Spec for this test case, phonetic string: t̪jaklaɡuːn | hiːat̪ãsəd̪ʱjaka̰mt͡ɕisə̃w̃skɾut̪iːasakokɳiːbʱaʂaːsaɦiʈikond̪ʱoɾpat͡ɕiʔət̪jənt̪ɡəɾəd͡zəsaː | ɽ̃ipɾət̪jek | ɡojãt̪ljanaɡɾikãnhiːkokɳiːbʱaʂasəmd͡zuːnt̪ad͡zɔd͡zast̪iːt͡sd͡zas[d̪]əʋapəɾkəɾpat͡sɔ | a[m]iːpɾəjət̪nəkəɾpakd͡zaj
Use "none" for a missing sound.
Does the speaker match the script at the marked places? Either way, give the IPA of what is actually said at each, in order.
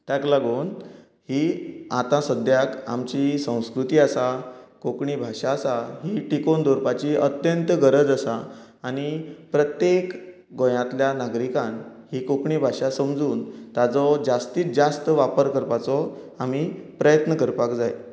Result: t̪, m

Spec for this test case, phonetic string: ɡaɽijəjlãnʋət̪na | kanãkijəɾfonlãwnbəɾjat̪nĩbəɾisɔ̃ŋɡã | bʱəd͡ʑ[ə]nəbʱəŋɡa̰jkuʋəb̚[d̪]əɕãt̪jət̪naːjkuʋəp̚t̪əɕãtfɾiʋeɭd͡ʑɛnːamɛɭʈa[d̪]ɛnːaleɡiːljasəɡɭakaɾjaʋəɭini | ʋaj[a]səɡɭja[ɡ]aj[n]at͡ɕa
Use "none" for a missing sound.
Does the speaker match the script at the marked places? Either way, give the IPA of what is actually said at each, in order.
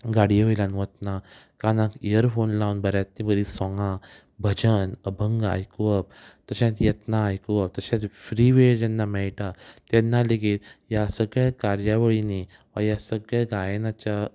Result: ə, t̪, t̪, a, ɡ, n

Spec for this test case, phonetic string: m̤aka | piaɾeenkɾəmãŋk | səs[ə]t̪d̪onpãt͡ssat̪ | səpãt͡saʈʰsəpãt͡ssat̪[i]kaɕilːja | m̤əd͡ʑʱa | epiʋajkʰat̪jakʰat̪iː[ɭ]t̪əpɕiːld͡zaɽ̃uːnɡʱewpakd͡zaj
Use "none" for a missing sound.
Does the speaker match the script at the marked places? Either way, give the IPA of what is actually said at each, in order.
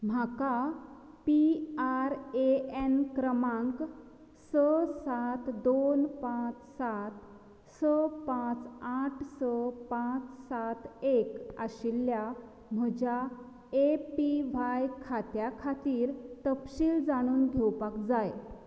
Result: a, e, ɾ

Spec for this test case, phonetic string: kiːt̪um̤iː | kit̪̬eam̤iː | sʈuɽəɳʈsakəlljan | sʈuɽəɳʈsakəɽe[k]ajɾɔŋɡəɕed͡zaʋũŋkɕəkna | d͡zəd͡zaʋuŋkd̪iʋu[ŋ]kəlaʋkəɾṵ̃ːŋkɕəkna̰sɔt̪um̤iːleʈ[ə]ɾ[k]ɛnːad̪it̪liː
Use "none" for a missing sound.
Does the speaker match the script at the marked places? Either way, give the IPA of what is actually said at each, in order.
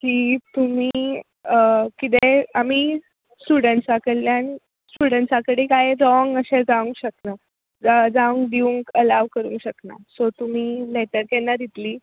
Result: k, ŋ, ə, k

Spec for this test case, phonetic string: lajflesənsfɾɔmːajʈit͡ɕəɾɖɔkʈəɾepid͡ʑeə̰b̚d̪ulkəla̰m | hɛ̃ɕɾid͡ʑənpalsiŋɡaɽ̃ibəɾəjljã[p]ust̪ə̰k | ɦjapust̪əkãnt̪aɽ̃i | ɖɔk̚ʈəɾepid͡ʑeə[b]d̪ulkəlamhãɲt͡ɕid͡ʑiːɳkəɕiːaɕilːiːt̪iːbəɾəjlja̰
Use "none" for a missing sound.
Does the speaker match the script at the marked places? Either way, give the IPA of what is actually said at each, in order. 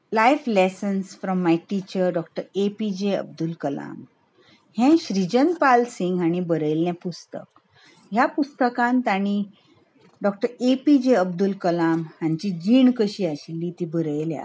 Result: p, b

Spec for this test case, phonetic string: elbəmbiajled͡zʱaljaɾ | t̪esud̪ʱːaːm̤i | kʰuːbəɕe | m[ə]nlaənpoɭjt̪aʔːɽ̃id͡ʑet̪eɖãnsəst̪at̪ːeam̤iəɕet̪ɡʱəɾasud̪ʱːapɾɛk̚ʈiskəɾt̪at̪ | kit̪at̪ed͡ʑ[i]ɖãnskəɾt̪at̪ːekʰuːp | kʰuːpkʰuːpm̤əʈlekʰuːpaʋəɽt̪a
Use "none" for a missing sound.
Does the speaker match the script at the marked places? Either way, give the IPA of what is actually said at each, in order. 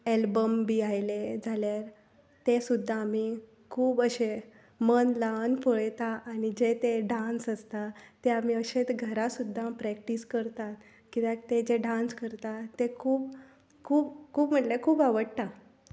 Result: ə, e

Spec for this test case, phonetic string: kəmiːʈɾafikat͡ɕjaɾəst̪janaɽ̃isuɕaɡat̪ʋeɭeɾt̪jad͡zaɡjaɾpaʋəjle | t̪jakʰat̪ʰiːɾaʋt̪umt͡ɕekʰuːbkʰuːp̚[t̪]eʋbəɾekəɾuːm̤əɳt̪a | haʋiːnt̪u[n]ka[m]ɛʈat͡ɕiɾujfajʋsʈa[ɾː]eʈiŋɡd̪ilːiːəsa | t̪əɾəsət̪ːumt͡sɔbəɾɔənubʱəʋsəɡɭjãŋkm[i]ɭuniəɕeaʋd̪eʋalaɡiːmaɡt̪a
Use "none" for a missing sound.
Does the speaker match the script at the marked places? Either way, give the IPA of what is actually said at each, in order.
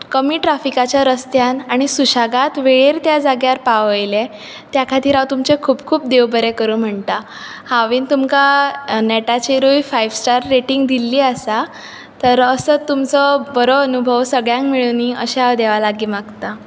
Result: d̪, m, n, ɾː, i

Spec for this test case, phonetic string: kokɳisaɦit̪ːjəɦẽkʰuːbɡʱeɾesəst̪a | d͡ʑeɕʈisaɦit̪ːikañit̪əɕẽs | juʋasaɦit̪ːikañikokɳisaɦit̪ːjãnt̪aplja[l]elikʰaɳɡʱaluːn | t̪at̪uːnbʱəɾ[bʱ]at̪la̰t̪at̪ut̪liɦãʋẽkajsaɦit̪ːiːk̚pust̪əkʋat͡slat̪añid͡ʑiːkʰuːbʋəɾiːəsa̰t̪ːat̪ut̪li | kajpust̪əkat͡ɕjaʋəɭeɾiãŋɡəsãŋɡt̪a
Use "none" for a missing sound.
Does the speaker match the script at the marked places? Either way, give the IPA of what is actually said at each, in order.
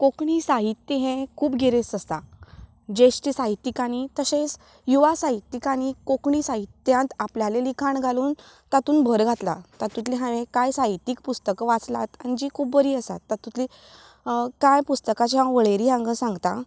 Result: l, ɡʱ

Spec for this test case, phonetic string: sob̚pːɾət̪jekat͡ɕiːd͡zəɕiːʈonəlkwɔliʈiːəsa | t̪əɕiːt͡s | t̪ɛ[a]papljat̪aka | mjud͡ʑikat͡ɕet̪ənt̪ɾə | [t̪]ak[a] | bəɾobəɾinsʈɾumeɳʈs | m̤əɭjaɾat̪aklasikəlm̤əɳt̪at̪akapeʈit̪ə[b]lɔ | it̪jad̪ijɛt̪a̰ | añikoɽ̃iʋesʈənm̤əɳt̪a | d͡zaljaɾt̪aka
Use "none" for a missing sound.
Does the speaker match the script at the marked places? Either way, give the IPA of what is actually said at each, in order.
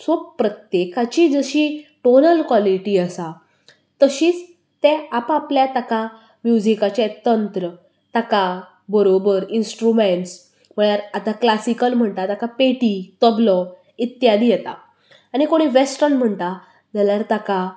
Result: a, t̪, a, b

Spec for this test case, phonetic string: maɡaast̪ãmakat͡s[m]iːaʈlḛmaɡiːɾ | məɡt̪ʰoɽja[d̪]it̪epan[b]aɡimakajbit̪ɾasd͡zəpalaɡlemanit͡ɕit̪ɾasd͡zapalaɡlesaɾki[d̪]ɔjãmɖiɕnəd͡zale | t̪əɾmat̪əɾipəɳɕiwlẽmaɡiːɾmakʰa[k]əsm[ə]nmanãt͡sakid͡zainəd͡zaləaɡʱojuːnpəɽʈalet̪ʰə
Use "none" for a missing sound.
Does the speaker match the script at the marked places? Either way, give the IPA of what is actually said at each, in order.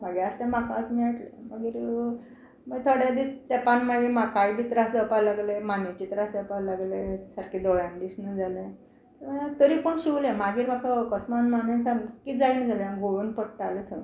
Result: m, d̪, m, d̪, k, a

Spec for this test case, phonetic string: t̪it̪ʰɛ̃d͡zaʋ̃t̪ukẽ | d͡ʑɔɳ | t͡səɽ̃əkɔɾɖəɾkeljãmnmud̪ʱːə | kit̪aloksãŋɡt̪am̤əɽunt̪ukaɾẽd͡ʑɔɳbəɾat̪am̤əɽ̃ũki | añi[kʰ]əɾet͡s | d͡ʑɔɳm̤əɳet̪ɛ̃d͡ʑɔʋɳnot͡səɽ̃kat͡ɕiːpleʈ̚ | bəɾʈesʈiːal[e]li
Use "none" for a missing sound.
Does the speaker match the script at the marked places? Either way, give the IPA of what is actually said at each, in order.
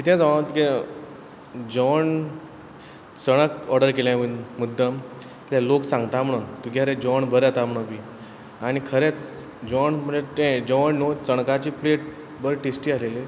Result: kʰ, e

